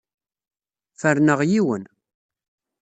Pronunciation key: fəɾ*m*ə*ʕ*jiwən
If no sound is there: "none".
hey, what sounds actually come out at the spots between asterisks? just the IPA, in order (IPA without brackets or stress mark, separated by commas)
n, ʁ